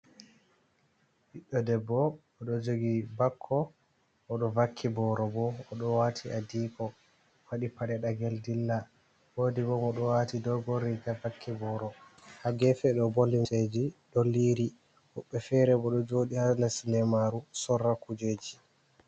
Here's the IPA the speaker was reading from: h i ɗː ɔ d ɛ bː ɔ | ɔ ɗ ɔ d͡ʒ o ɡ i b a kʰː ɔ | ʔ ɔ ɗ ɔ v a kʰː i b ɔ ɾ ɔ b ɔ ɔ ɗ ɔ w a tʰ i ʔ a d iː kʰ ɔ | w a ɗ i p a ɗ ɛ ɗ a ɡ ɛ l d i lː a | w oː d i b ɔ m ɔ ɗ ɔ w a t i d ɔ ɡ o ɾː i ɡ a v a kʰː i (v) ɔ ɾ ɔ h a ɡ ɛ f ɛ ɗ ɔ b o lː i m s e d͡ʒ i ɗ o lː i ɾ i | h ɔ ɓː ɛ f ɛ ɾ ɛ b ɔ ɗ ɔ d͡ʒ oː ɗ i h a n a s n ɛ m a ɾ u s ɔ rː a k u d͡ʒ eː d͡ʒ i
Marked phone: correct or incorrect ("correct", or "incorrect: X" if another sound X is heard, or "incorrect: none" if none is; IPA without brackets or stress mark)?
incorrect: b